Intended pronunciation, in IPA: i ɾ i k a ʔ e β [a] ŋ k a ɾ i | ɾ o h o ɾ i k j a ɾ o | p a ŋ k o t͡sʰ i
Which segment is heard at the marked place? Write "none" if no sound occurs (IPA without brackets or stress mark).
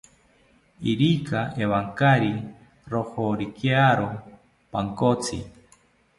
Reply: a